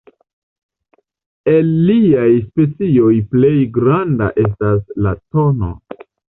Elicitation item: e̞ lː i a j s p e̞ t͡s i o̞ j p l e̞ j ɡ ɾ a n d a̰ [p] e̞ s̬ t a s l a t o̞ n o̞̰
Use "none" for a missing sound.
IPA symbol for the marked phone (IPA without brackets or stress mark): ʔ